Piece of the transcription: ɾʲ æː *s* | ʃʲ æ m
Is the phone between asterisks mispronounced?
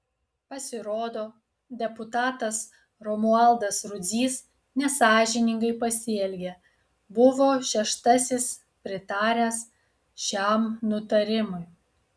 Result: no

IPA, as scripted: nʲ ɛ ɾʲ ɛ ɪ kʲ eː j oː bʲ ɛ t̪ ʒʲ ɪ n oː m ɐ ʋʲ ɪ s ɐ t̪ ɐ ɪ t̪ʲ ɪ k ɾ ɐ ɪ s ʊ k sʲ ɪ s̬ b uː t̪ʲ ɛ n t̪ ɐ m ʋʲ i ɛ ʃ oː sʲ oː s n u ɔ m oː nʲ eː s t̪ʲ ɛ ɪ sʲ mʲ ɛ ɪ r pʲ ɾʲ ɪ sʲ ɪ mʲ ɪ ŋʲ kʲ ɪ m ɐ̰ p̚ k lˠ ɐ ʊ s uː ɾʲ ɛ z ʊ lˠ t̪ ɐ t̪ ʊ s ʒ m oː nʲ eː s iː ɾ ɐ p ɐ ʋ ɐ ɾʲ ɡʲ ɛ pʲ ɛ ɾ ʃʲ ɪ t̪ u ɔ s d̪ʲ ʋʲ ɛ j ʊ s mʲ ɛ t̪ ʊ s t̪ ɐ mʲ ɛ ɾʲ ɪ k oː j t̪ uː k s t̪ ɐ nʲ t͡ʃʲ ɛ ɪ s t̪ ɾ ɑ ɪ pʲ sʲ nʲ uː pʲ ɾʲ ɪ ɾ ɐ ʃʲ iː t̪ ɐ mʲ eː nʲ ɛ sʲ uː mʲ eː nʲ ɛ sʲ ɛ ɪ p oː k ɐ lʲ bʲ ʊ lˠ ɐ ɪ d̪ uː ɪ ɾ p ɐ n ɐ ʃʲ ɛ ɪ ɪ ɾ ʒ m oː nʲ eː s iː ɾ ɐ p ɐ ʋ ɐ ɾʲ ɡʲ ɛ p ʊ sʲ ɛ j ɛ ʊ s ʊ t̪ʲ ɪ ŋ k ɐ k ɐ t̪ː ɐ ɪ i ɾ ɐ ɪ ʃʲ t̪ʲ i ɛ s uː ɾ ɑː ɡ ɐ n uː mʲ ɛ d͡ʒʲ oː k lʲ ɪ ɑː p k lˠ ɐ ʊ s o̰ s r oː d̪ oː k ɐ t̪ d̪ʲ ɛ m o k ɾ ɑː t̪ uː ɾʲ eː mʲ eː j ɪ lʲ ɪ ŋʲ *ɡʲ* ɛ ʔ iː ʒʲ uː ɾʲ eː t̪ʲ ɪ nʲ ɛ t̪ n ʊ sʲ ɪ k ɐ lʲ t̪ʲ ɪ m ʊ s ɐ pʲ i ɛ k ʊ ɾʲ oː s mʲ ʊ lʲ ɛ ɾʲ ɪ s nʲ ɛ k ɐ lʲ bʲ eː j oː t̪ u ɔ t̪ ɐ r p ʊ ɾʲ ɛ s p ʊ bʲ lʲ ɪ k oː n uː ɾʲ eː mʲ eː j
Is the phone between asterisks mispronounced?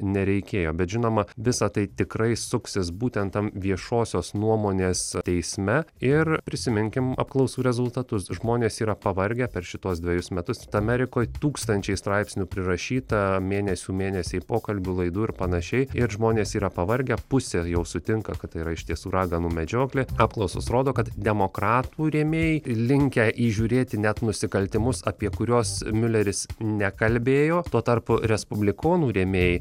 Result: yes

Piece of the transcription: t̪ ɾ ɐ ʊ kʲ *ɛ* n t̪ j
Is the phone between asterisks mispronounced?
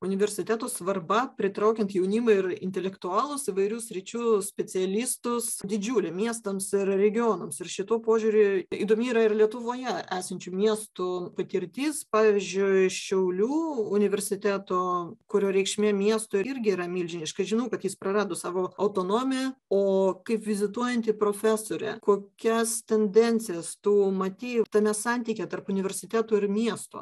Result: no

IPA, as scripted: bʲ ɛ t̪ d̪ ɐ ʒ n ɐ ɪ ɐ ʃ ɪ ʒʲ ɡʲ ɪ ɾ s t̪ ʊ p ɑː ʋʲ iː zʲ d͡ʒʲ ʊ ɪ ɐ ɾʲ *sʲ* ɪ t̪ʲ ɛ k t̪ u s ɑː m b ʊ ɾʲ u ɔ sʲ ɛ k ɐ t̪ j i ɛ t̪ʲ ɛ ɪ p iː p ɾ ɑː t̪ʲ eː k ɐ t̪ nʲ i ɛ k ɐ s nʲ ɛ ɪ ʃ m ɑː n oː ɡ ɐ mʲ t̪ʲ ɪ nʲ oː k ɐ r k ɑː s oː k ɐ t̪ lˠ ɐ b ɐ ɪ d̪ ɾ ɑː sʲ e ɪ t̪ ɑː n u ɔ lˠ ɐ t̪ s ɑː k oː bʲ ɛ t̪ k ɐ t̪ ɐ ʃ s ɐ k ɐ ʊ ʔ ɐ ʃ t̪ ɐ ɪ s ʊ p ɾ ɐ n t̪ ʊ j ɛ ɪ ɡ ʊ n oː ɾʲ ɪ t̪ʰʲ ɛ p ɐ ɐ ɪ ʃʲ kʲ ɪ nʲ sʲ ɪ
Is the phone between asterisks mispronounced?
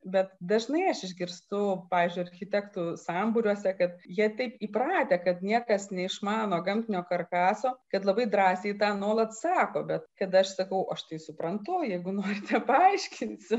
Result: yes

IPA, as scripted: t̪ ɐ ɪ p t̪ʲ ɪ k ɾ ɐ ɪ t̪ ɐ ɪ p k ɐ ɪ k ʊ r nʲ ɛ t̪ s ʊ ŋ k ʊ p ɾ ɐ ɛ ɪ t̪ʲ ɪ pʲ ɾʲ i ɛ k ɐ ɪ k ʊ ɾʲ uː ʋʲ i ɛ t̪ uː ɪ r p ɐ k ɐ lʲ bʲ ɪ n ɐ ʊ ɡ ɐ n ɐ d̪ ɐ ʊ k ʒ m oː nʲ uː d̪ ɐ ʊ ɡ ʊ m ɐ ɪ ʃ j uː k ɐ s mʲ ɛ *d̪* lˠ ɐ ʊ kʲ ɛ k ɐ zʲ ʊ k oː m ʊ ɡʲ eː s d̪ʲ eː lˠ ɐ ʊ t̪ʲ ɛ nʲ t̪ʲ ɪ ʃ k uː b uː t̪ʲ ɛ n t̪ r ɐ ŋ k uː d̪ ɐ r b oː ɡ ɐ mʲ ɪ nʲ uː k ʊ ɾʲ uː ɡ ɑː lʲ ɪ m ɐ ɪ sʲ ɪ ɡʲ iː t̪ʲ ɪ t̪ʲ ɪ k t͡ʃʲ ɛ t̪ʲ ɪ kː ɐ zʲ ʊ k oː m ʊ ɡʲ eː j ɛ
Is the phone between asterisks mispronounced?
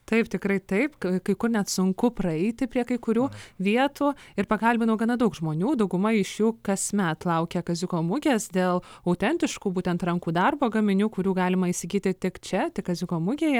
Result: yes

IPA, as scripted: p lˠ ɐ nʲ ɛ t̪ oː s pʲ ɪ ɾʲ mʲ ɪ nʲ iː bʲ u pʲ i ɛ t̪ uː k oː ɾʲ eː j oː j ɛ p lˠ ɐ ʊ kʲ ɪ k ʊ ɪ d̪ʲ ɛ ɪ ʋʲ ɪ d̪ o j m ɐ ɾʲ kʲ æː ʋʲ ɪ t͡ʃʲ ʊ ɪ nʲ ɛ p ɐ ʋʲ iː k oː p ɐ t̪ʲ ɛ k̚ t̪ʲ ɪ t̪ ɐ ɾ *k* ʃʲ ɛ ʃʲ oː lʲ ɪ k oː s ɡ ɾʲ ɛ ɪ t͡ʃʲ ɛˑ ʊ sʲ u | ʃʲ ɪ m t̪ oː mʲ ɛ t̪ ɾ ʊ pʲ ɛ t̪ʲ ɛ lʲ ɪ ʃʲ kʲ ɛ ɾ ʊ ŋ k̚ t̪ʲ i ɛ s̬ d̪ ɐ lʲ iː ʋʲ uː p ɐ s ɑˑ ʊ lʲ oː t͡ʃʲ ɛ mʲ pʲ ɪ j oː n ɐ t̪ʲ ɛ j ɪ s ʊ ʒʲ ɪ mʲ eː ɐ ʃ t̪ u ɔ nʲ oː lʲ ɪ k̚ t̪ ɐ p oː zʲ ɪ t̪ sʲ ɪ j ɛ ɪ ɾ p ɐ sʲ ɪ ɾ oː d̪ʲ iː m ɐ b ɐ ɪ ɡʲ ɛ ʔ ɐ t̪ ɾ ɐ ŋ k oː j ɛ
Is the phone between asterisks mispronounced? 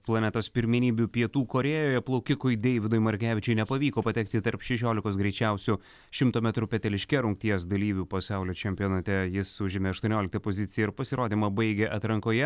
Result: yes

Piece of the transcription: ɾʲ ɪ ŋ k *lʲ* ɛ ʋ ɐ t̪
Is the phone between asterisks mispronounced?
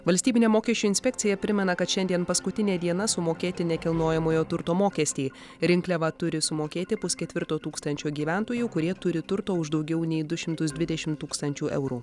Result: no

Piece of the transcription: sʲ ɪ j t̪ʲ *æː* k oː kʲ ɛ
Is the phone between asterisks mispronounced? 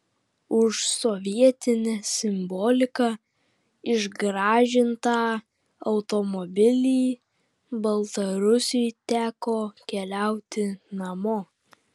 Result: no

